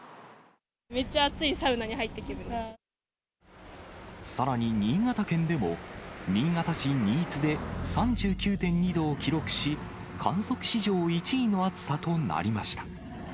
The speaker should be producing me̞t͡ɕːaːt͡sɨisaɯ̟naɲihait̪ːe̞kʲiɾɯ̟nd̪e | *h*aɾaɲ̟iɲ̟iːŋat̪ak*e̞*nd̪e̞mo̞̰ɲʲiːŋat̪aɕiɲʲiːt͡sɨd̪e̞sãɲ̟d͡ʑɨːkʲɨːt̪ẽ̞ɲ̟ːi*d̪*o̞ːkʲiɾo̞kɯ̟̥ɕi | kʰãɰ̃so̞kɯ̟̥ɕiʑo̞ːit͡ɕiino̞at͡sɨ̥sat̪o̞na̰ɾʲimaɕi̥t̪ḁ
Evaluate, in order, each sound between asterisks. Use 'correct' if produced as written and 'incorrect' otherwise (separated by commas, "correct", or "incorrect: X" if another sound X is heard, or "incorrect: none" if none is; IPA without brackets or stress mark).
incorrect: s, incorrect: ẽ̞, correct